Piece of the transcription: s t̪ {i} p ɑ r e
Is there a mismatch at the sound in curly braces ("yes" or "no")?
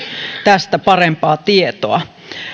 yes